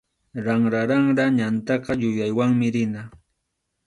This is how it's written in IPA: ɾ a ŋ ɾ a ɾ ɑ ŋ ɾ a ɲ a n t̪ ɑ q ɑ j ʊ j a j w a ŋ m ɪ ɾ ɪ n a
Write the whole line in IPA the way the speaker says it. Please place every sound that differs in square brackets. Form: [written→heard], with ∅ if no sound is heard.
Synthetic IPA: ɾ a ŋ ɾ a ɾ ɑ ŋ ɾ a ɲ a n t̪ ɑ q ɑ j ʊ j a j w a ŋ m ɪ ɾ ɪ n a